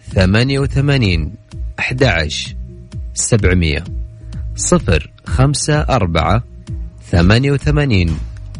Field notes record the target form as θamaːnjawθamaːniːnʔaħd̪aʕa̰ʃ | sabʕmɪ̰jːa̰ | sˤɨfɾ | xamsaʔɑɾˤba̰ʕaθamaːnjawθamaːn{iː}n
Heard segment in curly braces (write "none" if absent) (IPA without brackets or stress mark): iː